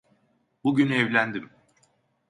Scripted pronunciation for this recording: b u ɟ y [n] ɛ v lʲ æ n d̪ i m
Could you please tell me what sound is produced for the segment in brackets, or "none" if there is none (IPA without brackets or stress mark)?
n